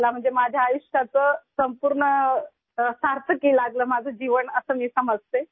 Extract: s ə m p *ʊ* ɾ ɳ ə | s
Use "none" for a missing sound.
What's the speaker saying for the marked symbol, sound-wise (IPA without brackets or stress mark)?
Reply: u